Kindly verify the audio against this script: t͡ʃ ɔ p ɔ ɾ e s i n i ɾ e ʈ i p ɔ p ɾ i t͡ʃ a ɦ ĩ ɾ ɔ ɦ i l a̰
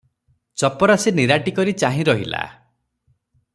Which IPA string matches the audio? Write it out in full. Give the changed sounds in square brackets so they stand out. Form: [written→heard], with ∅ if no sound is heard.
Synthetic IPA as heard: t͡ʃ ɔ p ɔ ɾ [e→a] s i n i ɾ [e→a] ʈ i [p→k] ɔ [p→∅] ɾ i t͡ʃ a ɦ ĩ ɾ ɔ ɦ i l a̰